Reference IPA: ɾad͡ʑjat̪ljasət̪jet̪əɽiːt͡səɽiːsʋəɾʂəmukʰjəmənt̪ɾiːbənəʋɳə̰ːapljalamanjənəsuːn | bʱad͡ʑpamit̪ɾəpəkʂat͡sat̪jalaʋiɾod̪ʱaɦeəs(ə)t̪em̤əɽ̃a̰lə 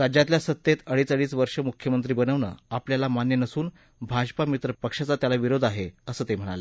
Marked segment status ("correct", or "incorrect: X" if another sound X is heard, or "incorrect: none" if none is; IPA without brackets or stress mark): incorrect: əː